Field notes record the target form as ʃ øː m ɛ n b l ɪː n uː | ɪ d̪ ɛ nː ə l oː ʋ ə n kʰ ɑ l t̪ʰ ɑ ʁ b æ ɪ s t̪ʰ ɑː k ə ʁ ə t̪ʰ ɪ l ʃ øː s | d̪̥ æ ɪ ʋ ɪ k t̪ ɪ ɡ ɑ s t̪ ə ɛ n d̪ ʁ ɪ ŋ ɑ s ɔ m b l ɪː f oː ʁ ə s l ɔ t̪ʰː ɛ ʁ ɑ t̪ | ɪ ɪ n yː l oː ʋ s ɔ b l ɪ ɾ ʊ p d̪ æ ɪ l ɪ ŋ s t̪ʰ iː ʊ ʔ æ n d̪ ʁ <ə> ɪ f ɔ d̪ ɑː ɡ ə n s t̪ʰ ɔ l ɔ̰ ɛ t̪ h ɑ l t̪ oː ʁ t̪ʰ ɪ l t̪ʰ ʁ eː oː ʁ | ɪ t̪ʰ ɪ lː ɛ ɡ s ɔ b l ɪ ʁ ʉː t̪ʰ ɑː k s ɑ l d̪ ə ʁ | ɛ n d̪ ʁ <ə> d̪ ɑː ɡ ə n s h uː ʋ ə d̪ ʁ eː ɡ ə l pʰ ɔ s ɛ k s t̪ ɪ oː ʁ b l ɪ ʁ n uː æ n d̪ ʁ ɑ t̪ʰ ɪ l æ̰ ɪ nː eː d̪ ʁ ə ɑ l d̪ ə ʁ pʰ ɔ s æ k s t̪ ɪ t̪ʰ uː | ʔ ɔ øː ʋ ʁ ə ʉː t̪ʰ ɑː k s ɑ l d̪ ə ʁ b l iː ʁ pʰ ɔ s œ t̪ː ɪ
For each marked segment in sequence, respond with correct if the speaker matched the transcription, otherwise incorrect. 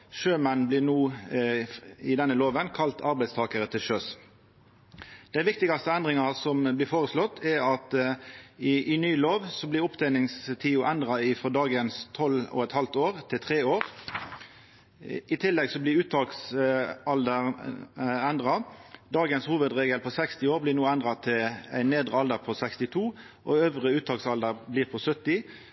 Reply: incorrect, incorrect

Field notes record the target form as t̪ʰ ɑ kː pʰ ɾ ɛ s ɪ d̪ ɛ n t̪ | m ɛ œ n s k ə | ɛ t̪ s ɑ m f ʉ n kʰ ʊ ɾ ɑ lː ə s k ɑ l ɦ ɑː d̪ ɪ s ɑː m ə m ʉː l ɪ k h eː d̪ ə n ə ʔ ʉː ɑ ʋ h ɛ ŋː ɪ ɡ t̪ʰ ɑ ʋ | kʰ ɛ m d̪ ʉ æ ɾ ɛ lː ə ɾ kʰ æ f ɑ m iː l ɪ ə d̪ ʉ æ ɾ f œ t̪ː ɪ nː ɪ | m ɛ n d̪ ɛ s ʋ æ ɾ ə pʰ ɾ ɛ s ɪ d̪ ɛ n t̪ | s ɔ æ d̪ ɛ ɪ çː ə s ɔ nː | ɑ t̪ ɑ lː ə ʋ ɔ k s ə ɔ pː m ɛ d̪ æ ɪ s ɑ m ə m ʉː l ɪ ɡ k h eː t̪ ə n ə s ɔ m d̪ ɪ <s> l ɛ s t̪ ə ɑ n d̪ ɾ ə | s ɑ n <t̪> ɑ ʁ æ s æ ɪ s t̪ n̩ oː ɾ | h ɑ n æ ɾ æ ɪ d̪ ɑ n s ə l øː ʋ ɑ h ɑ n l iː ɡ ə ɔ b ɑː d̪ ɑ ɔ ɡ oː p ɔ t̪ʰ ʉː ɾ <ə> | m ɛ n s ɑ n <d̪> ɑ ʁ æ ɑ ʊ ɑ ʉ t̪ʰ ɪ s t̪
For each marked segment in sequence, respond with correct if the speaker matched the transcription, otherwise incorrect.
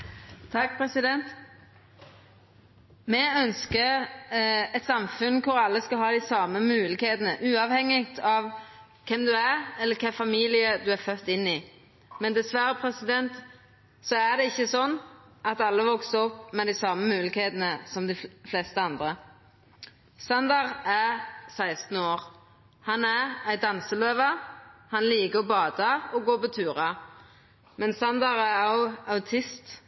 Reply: incorrect, incorrect, incorrect, correct

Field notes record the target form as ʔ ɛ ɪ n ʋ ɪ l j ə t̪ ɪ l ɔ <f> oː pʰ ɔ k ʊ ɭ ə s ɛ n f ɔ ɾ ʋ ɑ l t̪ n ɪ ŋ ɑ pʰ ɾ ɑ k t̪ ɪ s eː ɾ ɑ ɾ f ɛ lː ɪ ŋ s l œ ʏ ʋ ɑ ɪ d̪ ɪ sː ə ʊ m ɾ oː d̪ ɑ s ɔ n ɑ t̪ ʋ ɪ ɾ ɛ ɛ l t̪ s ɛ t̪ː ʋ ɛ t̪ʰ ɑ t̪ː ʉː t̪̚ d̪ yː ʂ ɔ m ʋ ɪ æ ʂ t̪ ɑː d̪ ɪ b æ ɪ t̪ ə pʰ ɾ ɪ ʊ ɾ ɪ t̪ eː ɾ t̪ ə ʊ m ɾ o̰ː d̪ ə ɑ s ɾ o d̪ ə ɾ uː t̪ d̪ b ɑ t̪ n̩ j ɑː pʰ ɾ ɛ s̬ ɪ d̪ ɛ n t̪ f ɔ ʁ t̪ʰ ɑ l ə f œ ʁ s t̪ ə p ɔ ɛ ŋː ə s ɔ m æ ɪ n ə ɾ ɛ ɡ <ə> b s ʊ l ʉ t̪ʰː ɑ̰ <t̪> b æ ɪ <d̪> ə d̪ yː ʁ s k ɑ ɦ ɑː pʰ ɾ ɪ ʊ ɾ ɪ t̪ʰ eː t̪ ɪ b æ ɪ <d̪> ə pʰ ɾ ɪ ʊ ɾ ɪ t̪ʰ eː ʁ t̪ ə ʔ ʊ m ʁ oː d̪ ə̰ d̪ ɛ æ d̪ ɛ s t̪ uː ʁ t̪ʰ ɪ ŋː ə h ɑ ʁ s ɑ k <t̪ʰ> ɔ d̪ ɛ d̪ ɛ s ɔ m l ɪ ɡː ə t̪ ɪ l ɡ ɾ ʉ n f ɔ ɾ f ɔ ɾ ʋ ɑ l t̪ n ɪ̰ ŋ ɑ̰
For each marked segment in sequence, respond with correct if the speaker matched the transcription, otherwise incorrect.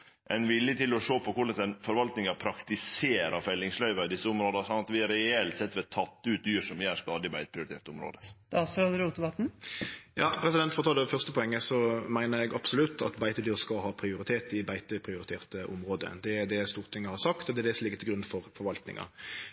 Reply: incorrect, incorrect, correct, incorrect, incorrect, incorrect

